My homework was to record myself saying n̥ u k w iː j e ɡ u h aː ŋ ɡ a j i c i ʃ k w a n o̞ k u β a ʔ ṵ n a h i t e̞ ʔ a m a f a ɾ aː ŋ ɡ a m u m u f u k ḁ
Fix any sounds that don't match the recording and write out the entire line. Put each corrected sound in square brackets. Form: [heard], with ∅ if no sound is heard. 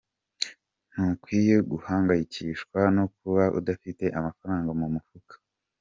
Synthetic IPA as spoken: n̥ u k w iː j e ɡ u h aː ŋ ɡ a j i c i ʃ k w a n o̞ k u β a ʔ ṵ [d] a [f] i t e̞ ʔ a m a f a ɾ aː ŋ ɡ a m u m u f u k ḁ